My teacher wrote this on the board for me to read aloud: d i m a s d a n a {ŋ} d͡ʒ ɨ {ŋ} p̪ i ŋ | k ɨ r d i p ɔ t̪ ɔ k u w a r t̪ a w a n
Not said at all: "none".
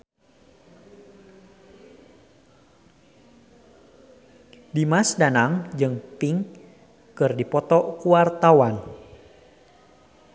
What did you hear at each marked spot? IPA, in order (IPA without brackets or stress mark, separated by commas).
ŋ, ŋ